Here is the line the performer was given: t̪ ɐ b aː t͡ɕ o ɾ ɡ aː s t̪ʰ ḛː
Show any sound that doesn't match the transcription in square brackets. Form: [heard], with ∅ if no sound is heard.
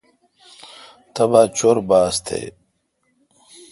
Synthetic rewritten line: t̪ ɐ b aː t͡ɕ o ɾ [b] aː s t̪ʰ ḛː